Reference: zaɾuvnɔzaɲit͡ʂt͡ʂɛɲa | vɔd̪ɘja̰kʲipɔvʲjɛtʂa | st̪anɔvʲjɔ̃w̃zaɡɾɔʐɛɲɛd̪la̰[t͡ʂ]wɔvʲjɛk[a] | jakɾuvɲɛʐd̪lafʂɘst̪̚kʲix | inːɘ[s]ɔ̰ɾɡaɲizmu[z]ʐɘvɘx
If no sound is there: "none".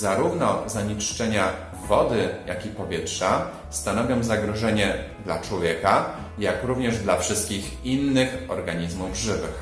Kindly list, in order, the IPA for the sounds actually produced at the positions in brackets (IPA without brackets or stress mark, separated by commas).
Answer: t͡ʂ, a, x, v